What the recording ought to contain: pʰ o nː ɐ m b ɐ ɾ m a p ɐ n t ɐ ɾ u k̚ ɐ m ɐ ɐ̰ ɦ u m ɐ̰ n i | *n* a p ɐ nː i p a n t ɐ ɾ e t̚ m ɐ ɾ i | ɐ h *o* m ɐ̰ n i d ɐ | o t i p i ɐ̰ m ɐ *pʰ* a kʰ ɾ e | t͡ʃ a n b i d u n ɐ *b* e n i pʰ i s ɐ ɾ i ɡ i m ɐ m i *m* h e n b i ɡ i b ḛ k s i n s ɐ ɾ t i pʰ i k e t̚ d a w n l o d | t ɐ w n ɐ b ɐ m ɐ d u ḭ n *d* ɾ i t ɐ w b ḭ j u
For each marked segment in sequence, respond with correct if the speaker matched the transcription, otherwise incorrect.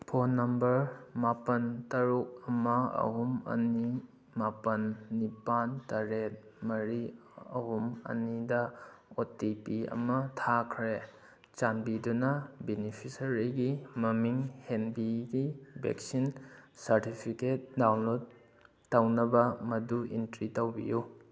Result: incorrect, incorrect, incorrect, correct, incorrect, incorrect

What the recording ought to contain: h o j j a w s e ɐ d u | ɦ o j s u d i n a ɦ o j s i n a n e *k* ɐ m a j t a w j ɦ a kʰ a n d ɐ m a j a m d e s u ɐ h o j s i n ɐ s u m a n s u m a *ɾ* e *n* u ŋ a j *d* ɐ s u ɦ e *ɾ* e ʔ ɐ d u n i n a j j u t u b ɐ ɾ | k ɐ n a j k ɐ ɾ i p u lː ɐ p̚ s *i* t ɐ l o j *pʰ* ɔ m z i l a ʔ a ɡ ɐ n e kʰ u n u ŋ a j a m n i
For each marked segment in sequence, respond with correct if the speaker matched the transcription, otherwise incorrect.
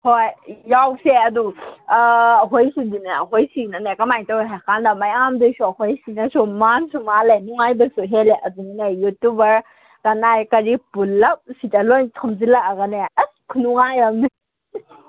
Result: correct, incorrect, correct, incorrect, incorrect, correct, incorrect

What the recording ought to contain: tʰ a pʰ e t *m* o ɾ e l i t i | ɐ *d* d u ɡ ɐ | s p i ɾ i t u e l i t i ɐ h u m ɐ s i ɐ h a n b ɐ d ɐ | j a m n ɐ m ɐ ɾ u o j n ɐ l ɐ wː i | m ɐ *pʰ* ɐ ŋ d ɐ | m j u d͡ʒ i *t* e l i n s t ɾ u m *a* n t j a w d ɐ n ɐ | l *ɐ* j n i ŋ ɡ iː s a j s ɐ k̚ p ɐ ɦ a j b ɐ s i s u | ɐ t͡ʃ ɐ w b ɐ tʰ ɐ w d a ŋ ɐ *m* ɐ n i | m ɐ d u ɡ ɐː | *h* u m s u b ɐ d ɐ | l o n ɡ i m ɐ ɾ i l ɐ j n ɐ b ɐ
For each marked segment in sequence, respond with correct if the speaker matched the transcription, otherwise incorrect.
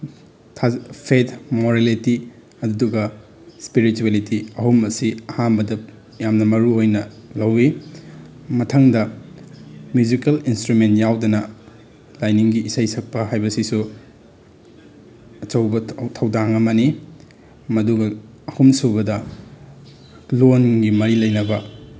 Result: correct, correct, incorrect, incorrect, incorrect, incorrect, correct, correct

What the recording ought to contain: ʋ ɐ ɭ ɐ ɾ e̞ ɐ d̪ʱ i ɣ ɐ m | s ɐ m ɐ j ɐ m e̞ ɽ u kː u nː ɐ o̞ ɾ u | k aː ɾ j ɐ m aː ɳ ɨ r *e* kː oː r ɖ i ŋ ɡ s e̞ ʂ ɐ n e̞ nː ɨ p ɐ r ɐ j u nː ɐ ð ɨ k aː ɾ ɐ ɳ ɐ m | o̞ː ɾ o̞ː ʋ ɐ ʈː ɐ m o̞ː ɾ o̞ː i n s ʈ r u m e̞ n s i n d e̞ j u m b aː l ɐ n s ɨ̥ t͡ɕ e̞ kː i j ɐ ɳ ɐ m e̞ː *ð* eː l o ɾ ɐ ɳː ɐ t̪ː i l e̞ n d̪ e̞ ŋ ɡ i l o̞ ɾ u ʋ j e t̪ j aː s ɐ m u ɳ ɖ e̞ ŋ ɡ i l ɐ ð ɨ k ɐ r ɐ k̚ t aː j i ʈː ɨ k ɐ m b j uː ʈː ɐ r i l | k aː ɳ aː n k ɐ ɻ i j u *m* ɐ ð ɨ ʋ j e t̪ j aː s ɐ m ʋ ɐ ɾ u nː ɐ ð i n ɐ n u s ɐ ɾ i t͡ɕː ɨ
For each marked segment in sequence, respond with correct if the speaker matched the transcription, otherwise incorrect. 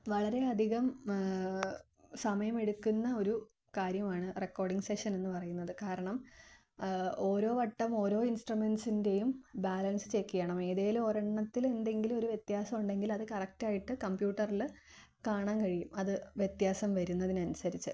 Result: correct, correct, correct

